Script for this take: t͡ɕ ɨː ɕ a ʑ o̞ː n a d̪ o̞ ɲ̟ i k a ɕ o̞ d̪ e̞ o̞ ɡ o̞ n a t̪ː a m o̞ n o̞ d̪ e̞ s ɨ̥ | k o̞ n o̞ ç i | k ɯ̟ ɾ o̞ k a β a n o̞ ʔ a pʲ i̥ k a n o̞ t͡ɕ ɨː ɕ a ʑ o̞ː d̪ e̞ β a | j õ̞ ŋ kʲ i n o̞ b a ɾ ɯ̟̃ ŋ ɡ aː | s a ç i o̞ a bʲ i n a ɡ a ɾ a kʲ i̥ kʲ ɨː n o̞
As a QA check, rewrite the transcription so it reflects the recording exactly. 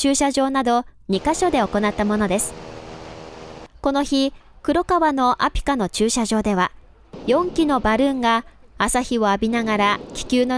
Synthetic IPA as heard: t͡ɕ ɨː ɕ a ʑ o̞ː n a d̪ o̞ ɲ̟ i k a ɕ o̞ d̪ e̞ o̞ k o̞ n a t̪ː a m o̞ n o̞ d̪ e̞ s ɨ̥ | k o̞ n o̞ ç i | k ɯ̟ ɾ o̞ k a β a n o̞ ʔ a pʲ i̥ k a n o̞ t͡ɕ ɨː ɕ a ʑ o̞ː d̪ e̞ β a | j õ̞ ŋ kʲ i n o̞ b a ɾ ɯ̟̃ ŋ ɡ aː | s a ç i o̞ a bʲ i n a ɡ a ɾ a kʲ i̥ kʲ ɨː n o̞